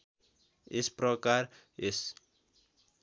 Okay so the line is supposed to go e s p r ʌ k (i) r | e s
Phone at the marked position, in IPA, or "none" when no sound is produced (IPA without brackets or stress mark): a